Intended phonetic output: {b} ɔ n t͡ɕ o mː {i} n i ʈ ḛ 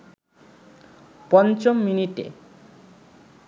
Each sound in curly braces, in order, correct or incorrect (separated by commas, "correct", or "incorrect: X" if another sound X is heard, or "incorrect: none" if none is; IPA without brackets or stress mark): incorrect: p, correct